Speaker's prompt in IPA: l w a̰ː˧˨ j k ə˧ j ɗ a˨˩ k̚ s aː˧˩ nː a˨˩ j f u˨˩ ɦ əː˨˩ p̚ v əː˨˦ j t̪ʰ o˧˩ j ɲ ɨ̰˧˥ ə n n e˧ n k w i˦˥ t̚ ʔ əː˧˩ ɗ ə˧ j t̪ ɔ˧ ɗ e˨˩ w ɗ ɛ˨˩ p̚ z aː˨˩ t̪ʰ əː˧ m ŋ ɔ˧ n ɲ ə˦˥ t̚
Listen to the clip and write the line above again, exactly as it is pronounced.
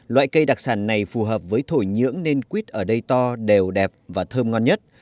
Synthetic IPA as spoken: l w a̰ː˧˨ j k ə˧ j ɗ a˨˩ k̚ s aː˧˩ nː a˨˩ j f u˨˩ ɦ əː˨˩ p̚ v əː˨˦ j t̪ʰ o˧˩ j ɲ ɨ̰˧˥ ə ŋ n e˧ n k w i˦˥ t̚ ʔ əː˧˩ ɗ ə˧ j t̪ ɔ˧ ɗ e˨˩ w ɗ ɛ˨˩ p̚ v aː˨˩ t̪ʰ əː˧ m ŋ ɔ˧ n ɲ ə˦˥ t̚